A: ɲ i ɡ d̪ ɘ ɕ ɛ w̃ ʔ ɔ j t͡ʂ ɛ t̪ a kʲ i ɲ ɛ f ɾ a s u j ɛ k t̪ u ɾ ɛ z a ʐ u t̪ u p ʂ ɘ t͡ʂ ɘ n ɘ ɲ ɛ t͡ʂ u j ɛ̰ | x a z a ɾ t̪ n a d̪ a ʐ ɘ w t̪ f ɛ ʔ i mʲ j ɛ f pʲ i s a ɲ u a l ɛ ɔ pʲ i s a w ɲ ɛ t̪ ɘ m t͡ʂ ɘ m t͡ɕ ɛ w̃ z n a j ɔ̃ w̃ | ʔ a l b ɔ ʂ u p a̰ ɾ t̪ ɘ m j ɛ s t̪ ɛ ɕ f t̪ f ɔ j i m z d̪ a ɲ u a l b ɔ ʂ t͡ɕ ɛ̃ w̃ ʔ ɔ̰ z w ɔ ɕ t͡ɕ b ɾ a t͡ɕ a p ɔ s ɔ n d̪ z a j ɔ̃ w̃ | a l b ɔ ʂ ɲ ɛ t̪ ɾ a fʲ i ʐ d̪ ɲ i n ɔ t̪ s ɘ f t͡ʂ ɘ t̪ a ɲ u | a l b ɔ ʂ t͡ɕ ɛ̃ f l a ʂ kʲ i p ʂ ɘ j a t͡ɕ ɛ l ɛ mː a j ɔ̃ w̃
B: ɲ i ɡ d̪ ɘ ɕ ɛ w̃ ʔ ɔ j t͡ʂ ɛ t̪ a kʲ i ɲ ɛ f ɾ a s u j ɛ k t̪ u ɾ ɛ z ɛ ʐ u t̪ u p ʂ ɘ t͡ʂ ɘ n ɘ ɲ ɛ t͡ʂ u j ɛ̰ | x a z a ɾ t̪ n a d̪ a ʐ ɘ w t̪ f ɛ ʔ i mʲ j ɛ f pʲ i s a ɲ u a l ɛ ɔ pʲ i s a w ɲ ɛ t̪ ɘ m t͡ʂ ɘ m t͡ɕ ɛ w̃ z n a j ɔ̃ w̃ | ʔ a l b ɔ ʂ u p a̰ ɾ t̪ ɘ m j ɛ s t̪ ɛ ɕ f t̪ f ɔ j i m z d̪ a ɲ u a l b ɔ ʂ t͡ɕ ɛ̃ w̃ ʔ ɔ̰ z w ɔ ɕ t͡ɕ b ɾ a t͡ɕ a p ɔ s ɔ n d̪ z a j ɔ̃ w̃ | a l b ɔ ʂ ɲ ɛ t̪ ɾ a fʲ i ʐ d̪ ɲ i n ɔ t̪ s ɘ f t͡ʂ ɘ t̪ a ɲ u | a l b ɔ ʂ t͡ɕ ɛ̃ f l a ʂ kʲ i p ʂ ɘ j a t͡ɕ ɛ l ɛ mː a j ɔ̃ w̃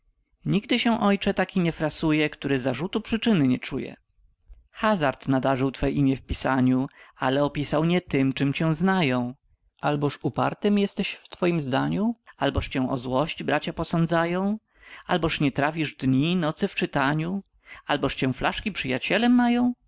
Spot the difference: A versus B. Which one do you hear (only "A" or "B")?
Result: A